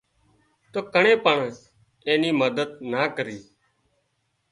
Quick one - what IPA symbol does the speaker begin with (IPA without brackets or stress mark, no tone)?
t̪